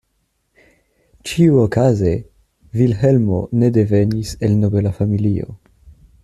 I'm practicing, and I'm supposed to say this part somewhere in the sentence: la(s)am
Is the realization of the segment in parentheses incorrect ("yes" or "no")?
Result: yes